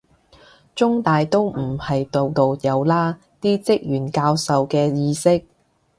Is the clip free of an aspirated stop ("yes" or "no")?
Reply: yes